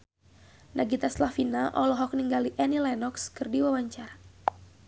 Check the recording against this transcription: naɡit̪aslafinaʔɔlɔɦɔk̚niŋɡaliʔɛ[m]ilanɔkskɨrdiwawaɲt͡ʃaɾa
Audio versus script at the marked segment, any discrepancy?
yes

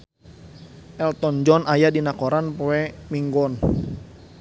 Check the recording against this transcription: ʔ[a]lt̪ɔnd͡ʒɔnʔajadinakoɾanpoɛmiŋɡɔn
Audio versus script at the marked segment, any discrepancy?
yes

